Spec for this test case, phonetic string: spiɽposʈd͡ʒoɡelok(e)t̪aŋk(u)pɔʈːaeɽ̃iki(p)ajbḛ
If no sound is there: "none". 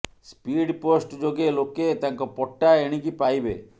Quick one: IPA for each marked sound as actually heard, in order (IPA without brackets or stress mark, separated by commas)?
e, ɔ, p